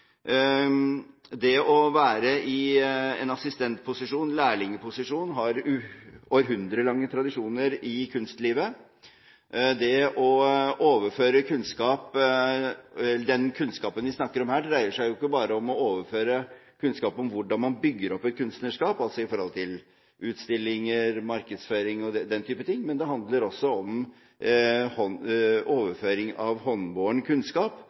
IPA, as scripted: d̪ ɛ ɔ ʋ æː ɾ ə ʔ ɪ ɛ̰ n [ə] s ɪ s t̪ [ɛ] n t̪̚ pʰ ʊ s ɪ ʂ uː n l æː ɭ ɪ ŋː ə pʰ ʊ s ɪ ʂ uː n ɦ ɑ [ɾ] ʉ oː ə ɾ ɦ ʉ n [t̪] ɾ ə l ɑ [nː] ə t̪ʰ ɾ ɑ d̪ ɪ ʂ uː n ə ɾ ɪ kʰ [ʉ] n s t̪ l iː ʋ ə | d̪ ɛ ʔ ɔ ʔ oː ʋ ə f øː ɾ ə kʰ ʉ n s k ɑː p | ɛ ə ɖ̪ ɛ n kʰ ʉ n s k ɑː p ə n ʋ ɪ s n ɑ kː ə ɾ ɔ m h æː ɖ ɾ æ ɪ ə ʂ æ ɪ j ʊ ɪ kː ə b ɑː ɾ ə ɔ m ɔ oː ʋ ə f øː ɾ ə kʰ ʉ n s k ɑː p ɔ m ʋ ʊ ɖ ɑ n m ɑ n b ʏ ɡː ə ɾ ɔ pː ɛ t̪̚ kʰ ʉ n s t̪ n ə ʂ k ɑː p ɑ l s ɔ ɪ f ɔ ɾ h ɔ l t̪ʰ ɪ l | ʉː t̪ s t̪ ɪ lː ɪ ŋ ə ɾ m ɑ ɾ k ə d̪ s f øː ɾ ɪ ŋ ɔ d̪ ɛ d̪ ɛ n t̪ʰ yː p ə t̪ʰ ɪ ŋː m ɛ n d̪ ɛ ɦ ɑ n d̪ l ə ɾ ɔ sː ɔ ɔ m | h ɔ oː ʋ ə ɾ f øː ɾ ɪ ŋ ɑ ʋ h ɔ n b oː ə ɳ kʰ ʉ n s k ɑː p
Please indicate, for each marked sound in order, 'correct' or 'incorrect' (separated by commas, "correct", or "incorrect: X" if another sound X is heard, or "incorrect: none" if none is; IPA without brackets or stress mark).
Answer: incorrect: ɑ, correct, correct, incorrect: d̪, incorrect: ŋː, correct